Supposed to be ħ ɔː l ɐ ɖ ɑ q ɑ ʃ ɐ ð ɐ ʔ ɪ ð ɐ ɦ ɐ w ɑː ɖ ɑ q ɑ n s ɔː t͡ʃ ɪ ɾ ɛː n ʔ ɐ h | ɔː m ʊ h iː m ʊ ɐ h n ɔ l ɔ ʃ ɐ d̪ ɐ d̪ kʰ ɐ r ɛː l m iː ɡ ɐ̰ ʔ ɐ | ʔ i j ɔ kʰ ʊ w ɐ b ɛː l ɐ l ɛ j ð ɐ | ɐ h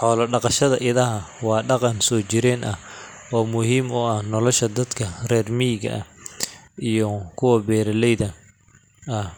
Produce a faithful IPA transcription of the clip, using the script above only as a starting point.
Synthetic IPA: ħ ɔː l ɐ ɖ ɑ q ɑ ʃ ɐ ð ɐ ʔ ɪ ð ɐ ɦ ɐ w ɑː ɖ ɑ q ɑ n s ɔː t͡ʃ ɪ ɾ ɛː n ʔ ɐ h | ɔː m ʊ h iː m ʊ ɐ h n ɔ l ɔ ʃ ɐ d̪ ɐ d̪ kʰ ɐ r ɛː r m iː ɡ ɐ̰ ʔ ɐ | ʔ i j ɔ kʰ ʊ w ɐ b ɛː ɾ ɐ l ɛ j ð ɐ | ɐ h